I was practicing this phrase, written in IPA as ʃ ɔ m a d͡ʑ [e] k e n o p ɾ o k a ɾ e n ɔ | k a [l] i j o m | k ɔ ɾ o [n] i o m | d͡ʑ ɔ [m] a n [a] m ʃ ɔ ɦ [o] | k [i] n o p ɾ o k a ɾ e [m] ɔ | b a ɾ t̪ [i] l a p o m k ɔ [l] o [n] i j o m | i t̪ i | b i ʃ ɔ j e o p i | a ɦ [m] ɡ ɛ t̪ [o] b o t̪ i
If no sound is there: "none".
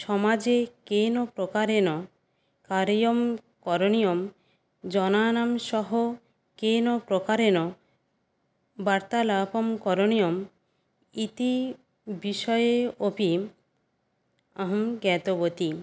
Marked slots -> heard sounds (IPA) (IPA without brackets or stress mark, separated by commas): e, ɾ, n, n, a, o, e, n, a, ɾ, n, m, o